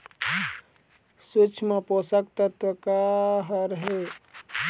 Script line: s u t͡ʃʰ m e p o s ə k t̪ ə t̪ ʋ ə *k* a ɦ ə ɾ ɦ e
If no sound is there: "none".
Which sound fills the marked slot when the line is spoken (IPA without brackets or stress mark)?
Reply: k